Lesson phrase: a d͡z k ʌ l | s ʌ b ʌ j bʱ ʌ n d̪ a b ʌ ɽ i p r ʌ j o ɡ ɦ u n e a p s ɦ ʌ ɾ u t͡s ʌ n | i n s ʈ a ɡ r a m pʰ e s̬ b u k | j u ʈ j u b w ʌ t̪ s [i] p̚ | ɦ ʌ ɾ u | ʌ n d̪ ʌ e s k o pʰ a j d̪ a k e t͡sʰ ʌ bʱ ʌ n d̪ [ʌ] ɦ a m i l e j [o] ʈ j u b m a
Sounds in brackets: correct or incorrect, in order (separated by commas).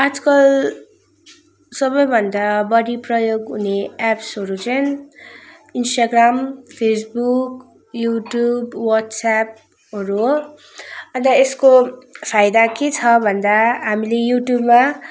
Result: incorrect, incorrect, incorrect